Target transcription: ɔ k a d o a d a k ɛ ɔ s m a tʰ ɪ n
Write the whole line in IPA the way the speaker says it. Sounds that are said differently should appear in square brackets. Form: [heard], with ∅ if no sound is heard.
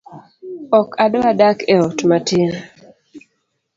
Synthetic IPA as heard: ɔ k a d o a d a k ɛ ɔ [t] m a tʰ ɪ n